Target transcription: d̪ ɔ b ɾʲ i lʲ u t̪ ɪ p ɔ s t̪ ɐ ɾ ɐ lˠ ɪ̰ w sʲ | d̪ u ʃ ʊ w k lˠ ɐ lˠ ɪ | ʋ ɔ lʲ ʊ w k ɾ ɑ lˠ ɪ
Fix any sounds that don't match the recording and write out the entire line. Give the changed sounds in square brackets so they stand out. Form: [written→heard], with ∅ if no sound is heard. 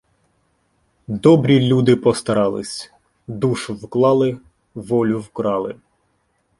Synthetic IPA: d̪ ɔ b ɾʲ i lʲ u [t̪→d̪] ɪ p ɔ s t̪ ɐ ɾ [ɐ→ɑ] lˠ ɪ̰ [w→∅] sʲ | d̪ u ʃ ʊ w k lˠ [ɐ→ɑ] lˠ ɪ | ʋ ɔ lʲ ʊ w k ɾ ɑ lˠ ɪ

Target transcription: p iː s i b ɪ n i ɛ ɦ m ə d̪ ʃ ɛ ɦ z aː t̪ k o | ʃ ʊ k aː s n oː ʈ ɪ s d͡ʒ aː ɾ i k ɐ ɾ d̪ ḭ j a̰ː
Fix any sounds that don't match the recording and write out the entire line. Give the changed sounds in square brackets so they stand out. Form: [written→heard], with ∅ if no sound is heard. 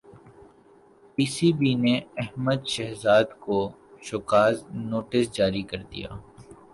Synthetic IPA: p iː s i b [ɪ→i] n [i→e] ɛ ɦ m ə d̪ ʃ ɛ ɦ z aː [t̪→d̪] k o | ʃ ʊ k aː [s→z] n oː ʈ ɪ s d͡ʒ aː ɾ i k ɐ ɾ d̪ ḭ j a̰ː

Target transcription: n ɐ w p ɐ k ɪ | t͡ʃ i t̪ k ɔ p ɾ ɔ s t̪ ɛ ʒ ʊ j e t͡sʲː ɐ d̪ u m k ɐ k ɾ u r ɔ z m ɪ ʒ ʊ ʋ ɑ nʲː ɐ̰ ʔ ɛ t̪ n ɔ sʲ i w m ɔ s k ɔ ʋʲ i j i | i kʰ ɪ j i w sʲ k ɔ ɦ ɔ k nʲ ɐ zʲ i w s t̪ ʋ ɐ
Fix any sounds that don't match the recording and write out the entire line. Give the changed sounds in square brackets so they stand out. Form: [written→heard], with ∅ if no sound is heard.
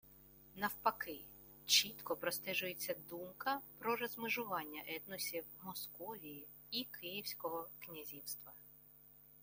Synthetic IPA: n ɐ w p ɐ k ɪ | t͡ʃ i t̪ k ɔ p ɾ ɔ s t̪ ɛ ʒ ʊ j e t͡sʲː ɐ d̪ u m k ɐ [k→p] ɾ [u→ɔ] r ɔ z m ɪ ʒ ʊ ʋ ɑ nʲː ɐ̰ ʔ ɛ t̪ n ɔ sʲ i w m ɔ s k ɔ ʋʲ i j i | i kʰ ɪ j i w sʲ k ɔ ɦ ɔ k nʲ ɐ zʲ i w s t̪ ʋ ɐ

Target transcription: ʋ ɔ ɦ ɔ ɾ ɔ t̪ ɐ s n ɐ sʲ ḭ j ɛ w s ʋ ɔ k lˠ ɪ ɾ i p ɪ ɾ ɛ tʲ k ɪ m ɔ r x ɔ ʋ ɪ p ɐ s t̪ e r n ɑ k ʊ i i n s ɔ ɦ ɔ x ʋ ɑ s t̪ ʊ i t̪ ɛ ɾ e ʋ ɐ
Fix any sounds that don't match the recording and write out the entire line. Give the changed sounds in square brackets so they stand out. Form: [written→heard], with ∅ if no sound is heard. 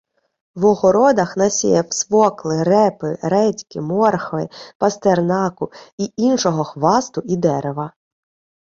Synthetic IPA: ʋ ɔ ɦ ɔ ɾ ɔ [t̪→d̪] ɐ [s→x] n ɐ sʲ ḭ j ɛ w s ʋ ɔ k lˠ ɪ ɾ [i→ɛ] p ɪ ɾ ɛ tʲ k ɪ m ɔ r x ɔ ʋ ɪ p ɐ s t̪ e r n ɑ k ʊ i i n [s→ʃ] ɔ ɦ ɔ x ʋ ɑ s t̪ ʊ i [t̪→d̪] ɛ ɾ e ʋ ɐ

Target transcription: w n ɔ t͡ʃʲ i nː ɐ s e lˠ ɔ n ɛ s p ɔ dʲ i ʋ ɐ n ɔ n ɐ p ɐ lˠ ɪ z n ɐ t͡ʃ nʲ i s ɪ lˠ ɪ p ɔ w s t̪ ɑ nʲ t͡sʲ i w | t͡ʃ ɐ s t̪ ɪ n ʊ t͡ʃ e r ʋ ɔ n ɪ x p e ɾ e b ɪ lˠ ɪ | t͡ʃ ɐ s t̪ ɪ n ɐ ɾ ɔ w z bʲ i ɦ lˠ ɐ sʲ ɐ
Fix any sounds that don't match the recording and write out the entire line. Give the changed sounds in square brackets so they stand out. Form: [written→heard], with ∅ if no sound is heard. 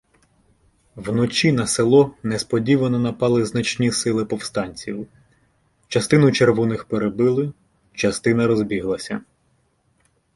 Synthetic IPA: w n ɔ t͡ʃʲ i [nː→n] ɐ s e lˠ ɔ n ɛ s p ɔ dʲ i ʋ ɐ n ɔ n ɐ p [ɐ→ɑ] lˠ ɪ z n ɐ t͡ʃ nʲ i s ɪ lˠ ɪ p ɔ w s t̪ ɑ nʲ t͡sʲ i w | t͡ʃ ɐ s t̪ ɪ n ʊ t͡ʃ e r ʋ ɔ n ɪ x p e ɾ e b ɪ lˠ ɪ | t͡ʃ ɐ s t̪ ɪ n ɐ ɾ ɔ [w→∅] z bʲ i ɦ lˠ ɐ sʲ ɐ

